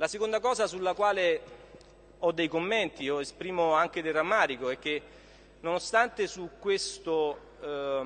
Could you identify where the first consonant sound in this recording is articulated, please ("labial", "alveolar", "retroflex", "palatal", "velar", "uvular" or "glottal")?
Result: alveolar